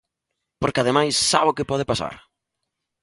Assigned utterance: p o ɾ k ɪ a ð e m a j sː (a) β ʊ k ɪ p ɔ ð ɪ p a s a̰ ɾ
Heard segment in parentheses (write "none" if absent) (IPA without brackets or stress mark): a